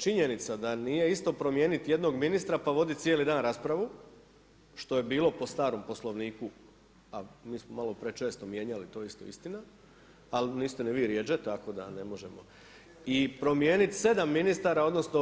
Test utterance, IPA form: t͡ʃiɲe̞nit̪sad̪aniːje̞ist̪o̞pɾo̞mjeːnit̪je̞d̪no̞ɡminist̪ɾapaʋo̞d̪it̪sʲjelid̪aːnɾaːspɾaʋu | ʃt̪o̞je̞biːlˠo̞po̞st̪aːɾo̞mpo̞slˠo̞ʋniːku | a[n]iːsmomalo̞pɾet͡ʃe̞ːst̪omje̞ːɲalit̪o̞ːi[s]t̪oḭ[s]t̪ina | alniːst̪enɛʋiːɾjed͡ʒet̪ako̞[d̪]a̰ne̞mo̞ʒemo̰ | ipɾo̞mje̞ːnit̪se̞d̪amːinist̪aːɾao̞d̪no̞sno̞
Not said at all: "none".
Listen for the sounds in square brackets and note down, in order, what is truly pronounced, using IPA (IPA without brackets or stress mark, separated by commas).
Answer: m, s, s, d̪